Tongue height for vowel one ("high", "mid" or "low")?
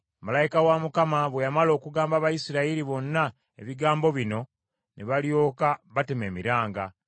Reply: low